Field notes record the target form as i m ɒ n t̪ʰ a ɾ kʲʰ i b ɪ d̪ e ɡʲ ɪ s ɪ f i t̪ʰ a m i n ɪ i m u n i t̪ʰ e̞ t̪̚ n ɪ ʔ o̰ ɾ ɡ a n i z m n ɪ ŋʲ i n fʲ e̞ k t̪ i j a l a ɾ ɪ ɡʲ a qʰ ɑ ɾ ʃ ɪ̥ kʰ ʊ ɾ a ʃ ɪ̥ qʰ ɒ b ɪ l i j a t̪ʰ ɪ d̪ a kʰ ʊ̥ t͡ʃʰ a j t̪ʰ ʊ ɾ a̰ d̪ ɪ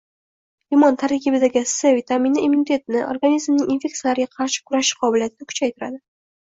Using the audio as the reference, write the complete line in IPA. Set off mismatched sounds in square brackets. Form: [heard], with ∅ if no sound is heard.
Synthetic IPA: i m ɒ n t̪ʰ a ɾ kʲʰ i b ɪ d̪ [a] ɡʲ ɪ s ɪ [v] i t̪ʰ a m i n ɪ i m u n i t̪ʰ e̞ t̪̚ n ɪ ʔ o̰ ɾ ɡ a n i z m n ɪ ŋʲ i n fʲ e̞ k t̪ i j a l a ɾ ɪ ɡʲ a qʰ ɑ ɾ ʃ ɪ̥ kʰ ʊ ɾ a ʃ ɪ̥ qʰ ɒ b ɪ l i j a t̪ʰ ɪ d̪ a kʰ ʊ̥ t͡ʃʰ a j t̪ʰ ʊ ɾ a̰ d̪ ɪ